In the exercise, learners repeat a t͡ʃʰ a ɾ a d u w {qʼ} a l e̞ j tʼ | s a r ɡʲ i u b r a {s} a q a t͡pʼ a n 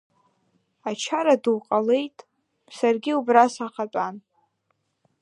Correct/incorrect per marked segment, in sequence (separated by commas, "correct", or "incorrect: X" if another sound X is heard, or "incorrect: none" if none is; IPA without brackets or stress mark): correct, correct